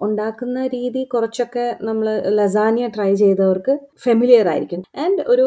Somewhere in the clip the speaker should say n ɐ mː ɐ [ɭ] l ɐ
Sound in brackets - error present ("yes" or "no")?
no